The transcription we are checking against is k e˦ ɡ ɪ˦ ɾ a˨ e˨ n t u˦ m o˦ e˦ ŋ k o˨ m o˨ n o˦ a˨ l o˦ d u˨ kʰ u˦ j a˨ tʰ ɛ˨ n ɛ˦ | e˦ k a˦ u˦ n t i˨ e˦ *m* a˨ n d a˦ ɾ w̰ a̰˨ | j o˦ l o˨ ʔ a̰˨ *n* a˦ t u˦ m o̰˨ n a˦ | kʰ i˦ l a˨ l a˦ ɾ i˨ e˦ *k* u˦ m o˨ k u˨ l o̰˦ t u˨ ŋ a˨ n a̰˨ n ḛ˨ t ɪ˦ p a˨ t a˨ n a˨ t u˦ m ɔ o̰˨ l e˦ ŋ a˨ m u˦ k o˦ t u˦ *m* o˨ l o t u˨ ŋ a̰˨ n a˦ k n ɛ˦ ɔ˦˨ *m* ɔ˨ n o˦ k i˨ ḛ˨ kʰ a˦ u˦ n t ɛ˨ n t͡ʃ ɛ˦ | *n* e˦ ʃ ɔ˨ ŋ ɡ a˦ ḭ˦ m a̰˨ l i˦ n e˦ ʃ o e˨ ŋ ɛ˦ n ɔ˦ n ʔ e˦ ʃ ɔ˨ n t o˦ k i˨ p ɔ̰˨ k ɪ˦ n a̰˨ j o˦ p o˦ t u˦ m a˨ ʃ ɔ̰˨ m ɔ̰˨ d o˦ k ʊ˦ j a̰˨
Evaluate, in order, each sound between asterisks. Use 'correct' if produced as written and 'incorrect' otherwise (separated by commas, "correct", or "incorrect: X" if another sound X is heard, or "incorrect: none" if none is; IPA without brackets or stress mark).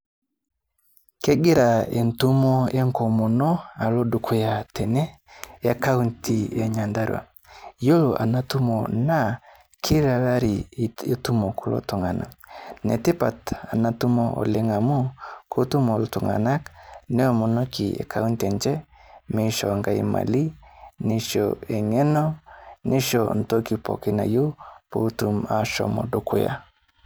incorrect: ɲ, correct, incorrect: t, correct, correct, incorrect: m